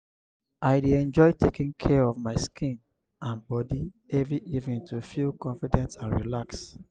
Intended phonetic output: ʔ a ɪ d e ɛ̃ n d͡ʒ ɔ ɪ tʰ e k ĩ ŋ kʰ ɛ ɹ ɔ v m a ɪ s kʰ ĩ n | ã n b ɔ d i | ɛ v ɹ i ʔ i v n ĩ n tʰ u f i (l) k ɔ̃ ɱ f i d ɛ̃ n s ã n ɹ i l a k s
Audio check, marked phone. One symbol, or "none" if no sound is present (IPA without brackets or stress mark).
l